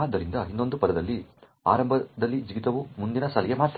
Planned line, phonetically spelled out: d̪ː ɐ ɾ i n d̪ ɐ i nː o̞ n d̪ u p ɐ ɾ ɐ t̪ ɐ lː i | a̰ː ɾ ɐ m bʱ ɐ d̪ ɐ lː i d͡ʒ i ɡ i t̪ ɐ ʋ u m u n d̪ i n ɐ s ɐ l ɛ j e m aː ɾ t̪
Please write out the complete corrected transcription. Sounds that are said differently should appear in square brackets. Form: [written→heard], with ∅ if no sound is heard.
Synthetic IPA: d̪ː ɐ ɾ i n d̪ ɐ i nː o̞ n d̪ u p ɐ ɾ ɐ [t̪→d̪] ɐ lː i | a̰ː ɾ ɐ m bʱ ɐ d̪ ɐ lː i d͡ʒ i ɡ i t̪ ɐ ʋ u m u n d̪ i n ɐ s ɐ l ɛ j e m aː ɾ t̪